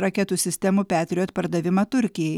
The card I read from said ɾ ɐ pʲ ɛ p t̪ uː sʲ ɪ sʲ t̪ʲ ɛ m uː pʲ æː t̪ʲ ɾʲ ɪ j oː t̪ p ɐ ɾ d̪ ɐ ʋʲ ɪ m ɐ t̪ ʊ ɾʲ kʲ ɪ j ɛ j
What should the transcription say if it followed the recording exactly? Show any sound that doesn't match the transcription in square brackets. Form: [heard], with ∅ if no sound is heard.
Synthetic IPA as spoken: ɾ ɐ [kʲ] ɛ [∅] t̪ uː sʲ ɪ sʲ t̪ʲ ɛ m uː pʲ æː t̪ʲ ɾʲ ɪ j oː t̪ p ɐ ɾ d̪ ɐ ʋʲ ɪ m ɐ t̪ ʊ ɾʲ kʲ ɪ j ɛ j